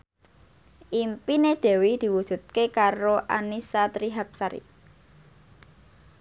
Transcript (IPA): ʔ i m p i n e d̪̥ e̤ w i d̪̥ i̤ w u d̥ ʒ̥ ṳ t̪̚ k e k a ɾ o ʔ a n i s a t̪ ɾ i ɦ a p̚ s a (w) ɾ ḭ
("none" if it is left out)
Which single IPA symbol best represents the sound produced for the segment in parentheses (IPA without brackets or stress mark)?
none